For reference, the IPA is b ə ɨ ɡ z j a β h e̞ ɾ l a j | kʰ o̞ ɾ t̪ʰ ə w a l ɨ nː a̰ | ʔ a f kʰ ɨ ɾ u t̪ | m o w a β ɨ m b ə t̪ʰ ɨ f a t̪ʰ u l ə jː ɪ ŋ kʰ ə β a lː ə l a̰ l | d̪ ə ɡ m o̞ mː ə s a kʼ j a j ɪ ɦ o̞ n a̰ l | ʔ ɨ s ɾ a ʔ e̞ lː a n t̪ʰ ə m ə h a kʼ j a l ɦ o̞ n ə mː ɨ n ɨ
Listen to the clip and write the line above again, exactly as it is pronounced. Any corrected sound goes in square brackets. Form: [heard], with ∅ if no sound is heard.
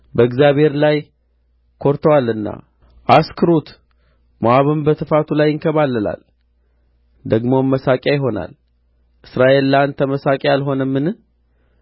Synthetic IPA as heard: b ə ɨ ɡ z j a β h e̞ ɾ l a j | kʰ o̞ ɾ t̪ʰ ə w a l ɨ nː a̰ | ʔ a [s] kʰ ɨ ɾ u t̪ | m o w a β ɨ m b ə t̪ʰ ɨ f a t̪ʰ u l [a] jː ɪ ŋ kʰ ə β a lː ə l a̰ l | d̪ ə ɡ m o̞ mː ə s a kʼ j a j ɪ ɦ o̞ n a̰ l | ʔ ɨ s ɾ a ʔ e̞ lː a n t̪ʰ ə m ə [s] a kʼ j a l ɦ o̞ n ə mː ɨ n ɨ